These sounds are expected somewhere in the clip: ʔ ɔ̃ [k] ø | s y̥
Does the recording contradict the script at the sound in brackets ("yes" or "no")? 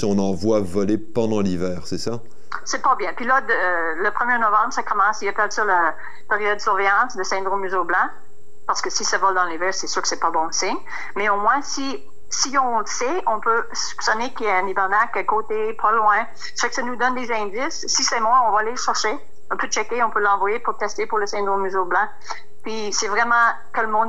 yes